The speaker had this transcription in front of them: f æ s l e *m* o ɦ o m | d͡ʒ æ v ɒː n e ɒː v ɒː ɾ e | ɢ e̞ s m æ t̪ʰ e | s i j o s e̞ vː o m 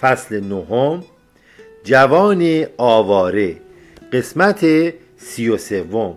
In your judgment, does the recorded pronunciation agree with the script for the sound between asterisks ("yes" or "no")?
no